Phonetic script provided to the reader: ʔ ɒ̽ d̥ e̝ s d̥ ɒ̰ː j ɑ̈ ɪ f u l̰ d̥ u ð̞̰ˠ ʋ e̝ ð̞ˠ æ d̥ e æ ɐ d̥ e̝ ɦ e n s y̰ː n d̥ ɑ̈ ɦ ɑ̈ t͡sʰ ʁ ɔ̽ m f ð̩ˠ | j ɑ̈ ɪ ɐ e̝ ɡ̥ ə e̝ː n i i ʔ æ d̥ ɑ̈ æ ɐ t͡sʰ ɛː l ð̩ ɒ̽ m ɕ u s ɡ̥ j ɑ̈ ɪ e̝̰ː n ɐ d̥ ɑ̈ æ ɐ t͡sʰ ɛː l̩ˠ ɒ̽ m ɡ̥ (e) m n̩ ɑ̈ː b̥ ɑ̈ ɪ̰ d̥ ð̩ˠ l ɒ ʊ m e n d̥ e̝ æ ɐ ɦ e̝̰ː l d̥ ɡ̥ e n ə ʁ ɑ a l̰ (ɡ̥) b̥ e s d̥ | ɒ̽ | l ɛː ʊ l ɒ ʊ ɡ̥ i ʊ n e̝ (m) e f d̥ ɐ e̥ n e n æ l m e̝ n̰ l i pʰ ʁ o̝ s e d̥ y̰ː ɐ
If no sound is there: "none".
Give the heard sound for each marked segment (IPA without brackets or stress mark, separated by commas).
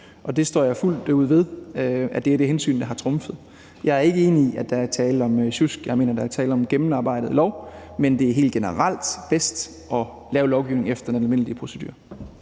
e, d̥, ŋ